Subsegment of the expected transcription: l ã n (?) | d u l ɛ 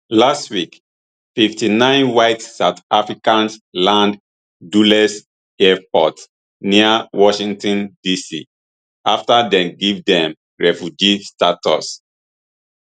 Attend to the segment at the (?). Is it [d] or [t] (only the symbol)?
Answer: d